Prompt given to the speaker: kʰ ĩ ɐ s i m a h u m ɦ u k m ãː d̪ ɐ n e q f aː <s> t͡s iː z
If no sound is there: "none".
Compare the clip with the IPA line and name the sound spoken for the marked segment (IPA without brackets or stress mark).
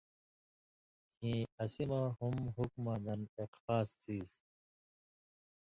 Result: s